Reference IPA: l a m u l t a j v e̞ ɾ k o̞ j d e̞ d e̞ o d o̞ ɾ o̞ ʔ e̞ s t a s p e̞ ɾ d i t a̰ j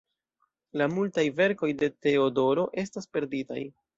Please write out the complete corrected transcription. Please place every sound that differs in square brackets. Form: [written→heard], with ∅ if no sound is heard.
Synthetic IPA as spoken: l a m u l t a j v e̞ ɾ k o̞ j d e̞ [d→t] e̞ o d o̞ ɾ o̞ ʔ e̞ s t a s p e̞ ɾ d i t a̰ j